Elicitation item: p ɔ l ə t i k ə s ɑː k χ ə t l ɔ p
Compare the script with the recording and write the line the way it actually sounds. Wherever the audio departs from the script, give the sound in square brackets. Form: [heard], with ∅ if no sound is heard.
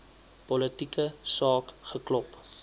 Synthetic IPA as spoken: p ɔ l ə t i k ə s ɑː k χ ə [k] l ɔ p